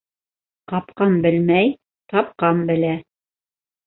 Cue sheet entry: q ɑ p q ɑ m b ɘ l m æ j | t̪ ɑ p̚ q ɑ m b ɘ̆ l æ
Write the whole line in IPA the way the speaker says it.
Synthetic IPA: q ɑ p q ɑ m b ɘ l m æ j | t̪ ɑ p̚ q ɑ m b ɘ̆ l æ